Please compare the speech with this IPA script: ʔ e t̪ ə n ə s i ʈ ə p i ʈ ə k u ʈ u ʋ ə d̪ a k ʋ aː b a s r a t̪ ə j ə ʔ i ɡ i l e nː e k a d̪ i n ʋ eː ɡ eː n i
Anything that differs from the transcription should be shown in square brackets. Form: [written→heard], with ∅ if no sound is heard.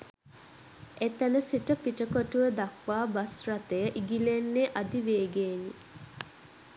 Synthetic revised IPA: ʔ e t̪ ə n ə s i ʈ ə p i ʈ ə k [u→o] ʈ u ʋ ə d̪ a k ʋ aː b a s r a t̪ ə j ə ʔ i ɡ i l e nː e [k→ʔ] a d̪ i [n→∅] ʋ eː ɡ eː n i